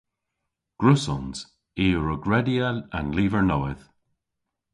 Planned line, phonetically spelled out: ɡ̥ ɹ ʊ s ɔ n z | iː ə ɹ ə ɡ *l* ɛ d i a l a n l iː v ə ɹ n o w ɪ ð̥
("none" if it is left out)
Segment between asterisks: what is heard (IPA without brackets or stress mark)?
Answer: ɹ